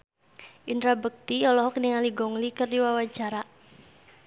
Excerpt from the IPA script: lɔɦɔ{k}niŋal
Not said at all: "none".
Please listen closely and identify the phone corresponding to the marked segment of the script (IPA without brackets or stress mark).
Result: k